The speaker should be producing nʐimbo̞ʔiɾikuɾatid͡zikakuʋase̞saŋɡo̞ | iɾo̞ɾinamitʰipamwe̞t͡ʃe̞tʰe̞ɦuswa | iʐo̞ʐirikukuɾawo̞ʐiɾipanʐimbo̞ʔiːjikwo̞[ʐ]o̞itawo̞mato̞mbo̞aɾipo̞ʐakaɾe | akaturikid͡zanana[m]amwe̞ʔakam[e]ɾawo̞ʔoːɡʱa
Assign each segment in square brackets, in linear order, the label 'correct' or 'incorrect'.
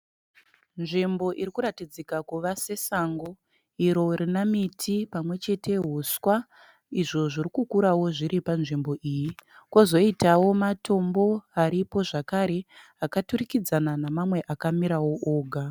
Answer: incorrect, correct, incorrect

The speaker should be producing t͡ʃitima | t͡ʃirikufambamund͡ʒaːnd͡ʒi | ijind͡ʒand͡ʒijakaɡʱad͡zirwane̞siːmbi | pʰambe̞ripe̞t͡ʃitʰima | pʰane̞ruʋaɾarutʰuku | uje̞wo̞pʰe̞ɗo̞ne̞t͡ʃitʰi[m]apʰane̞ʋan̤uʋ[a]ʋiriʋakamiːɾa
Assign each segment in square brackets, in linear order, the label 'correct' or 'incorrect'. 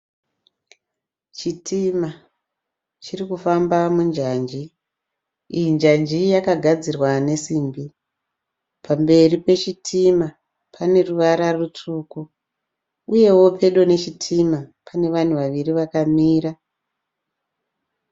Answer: correct, correct

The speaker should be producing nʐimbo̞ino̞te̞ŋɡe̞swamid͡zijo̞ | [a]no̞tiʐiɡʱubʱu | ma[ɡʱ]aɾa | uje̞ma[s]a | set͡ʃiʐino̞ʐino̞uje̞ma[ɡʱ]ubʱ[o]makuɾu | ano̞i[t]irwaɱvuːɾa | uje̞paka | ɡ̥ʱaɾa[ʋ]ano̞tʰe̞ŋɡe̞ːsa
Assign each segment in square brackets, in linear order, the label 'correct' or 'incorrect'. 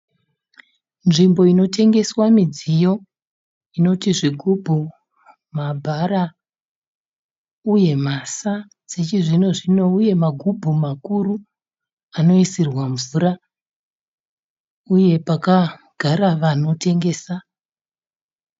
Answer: incorrect, incorrect, correct, correct, incorrect, incorrect, correct

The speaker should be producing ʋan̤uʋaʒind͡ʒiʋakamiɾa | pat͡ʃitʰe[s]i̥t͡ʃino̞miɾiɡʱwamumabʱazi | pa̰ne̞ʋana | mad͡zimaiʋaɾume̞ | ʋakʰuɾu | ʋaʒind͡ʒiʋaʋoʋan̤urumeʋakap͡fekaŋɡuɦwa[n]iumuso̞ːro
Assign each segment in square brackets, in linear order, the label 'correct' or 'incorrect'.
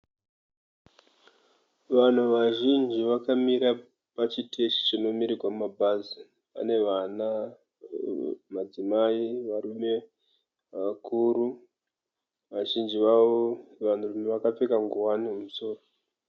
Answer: incorrect, correct

